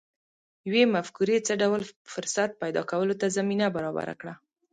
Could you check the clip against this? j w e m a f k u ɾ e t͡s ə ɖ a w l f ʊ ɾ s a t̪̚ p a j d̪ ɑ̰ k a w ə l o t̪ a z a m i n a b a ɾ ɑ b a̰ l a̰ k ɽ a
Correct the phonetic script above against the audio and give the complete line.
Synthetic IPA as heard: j w e m a f k u ɾ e t͡s ə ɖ a w l f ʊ ɾ s a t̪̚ p a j d̪ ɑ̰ k a w ə l o t̪ a z a m i n a b a ɾ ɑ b a̰ ɾ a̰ k ɽ a

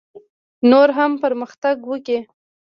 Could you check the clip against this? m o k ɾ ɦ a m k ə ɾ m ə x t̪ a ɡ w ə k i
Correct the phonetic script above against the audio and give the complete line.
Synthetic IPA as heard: n o ɾ ɦ a m p ə ɾ m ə x t̪ a ɡ w ə k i

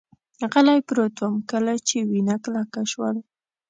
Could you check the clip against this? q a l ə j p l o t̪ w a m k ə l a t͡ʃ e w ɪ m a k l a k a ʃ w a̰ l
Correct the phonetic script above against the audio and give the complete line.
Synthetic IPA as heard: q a l a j p ɾ o t̪ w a m k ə l a t͡ʃ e w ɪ n a k l a k a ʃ w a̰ l

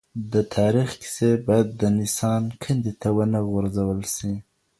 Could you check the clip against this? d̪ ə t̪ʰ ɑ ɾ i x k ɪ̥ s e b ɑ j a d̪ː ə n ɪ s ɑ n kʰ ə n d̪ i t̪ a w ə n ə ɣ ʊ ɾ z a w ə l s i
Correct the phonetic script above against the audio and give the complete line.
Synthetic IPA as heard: d̪ ə t̪ʰ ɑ ɾ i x k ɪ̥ s e b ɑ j a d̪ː ə n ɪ s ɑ n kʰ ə n d̪ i t̪ a w ə n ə ɣ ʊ ɾ z a w ə l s i

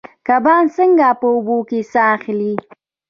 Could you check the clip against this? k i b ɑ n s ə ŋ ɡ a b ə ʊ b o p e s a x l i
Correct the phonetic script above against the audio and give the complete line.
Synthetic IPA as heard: k a b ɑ n s ə ŋ ɡ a p ə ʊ b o k e s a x l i

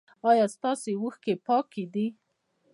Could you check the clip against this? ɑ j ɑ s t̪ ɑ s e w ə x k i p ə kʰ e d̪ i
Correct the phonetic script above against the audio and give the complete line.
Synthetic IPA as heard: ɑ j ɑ s t̪ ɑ s e w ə x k e p ɑ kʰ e d̪ i

